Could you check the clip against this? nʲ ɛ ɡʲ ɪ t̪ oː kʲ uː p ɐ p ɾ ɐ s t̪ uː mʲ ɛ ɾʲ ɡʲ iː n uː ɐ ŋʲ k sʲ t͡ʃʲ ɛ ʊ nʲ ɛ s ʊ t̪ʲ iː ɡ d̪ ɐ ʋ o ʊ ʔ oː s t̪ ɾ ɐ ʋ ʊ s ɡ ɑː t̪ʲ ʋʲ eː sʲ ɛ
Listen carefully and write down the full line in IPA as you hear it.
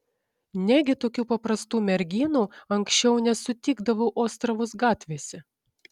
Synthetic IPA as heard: nʲ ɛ ɡʲ ɪ t̪ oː kʲ uː p ɐ p ɾ ɐ s t̪ uː mʲ ɛ ɾʲ ɡʲ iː n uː ɐ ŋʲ k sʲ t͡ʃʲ ɛ ʊ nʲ ɛ s ʊ t̪ʲ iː ɡ d̪ ɐ ʋ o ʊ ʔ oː s t̪ ɾ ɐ ʋ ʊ s ɡ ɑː t̪ʲ ʋʲ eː sʲ ɛ

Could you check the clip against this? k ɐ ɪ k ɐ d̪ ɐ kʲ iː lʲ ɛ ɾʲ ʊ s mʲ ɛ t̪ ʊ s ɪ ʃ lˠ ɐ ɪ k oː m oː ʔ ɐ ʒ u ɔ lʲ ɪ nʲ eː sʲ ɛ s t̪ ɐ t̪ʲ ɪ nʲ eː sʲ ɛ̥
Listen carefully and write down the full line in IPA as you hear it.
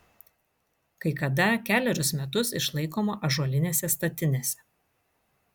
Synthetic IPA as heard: k ɐ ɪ k ɐ d̪ ɐ kʲ æː lʲ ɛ ɾʲ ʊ s mʲ ɛ t̪ ʊ s ɪ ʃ lˠ ɐ ɪ k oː m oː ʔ ɐ ʒ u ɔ lʲ ɪ nʲ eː sʲ ɛ s t̪ ɐ t̪ʲ ɪ nʲ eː sʲ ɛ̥

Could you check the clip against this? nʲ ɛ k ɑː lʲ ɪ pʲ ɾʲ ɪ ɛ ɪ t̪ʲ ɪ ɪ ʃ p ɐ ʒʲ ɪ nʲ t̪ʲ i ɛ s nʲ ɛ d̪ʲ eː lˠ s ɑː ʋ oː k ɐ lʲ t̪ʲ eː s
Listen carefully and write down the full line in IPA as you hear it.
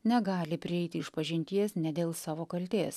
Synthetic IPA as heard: nʲ ɛ ɡ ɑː lʲ ɪ pʲ ɾʲ ɪ ɛ ɪ t̪ʲ ɪ ɪ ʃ p ɐ ʒʲ ɪ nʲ t̪ʲ i ɛ s nʲ ɛ d̪ʲ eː lˠ s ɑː ʋ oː k ɐ lʲ t̪ʲ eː s

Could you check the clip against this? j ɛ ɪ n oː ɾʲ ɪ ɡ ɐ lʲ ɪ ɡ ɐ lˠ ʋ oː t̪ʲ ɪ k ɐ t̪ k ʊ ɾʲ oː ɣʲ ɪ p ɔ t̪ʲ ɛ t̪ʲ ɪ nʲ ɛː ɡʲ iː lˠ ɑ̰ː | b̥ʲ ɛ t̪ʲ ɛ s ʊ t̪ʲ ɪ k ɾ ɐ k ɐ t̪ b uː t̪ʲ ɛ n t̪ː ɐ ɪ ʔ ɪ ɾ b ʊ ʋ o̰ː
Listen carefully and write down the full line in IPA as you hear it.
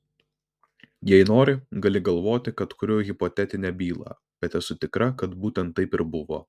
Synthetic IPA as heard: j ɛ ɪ n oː ɾʲ ɪ ɡ ɐ lʲ ɪ ɡ ɐ lˠ ʋ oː t̪ʲ ɪ k ɐ t̪ k ʊ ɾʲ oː ɣʲ ɪ p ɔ t̪ʲ ɛ t̪ʲ ɪ nʲ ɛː bʲ iː lˠ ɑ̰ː | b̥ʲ ɛ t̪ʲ ɛ s ʊ t̪ʲ ɪ k ɾ ɐ k ɐ t̪ b uː t̪ʲ ɛ n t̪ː ɐ ɪ p ɪ ɾ b ʊ ʋ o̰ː

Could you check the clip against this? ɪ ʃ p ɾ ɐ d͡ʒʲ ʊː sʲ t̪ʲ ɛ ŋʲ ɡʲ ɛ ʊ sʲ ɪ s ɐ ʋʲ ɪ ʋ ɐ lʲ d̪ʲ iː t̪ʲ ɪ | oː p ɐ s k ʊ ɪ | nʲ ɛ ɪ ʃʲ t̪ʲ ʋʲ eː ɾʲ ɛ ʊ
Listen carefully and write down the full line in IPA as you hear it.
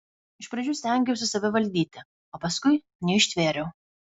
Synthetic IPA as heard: ɪ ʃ p ɾ ɐ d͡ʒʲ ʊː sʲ t̪ʲ ɛ ŋʲ ɡʲ ɛ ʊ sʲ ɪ s ɐ ʋʲ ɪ ʋ ɐ lʲ d̪ʲ iː t̪ʲ ɪ | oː p ɐ s k ʊ ɪ | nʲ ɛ ɪ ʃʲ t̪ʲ ʋʲ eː ɾʲ ɛ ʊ

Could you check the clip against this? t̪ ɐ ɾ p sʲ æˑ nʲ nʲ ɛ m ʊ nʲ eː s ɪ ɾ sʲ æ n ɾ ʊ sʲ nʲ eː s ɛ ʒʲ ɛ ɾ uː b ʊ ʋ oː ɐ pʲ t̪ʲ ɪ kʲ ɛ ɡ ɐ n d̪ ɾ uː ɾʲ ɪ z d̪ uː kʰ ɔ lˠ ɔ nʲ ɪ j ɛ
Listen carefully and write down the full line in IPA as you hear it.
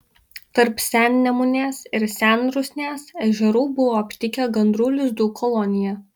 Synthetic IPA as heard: t̪ ɐ ɾ p sʲ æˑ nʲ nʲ ɛ m ʊ nʲ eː s ɪ ɾ sʲ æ n ɾ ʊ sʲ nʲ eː s ɛ ʒʲ ɛ ɾ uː b ʊ ʋ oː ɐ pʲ t̪ʲ ɪ kʲ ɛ ɡ ɐ n d̪ ɾ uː lʲ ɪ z d̪ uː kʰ ɔ lˠ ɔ nʲ ɪ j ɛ

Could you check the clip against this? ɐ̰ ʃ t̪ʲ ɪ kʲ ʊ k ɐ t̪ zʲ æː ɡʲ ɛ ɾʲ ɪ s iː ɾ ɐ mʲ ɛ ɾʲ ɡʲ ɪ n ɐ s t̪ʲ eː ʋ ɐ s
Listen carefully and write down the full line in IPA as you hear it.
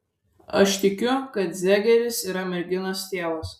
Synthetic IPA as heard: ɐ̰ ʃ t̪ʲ ɪ kʲ ʊ k ɐ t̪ zʲ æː ɡʲ ɛ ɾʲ ɪ s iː ɾ ɐ mʲ ɛ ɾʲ ɡʲ ɪ n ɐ s t̪ʲ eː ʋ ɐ s

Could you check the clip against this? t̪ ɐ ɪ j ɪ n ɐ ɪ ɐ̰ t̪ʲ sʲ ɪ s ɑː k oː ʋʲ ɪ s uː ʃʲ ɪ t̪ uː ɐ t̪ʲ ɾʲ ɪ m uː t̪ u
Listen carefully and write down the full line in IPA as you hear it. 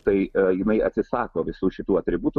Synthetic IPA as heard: t̪ ɐ ɪ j ɪ n ɐ ɪ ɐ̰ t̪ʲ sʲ ɪ s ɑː k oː ʋʲ ɪ s uː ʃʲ ɪ t̪ uː ɐ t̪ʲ ɾʲ ɪ b uː t̪ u

